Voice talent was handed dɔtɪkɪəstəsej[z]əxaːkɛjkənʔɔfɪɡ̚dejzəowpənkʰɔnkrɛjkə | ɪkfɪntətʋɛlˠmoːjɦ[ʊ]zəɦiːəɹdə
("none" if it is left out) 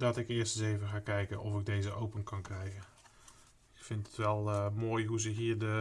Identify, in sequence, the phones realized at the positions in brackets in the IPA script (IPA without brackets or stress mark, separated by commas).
v, u